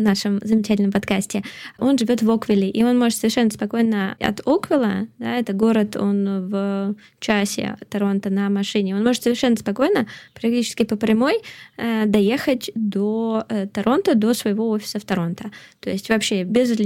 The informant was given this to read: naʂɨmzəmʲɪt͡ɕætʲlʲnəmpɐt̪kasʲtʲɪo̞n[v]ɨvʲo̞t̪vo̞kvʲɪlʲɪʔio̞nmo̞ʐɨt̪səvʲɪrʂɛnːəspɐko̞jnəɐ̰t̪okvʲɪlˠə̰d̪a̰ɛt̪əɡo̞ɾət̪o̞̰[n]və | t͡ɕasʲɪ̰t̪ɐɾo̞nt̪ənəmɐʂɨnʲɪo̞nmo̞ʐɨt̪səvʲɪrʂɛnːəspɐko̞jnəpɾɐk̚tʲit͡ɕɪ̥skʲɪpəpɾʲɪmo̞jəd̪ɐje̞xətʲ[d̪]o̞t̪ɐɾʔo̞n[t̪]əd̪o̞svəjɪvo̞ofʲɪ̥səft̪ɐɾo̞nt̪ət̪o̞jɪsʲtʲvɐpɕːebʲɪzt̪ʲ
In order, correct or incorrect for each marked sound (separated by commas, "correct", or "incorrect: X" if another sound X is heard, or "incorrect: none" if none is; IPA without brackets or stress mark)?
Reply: incorrect: ʐ, correct, correct, correct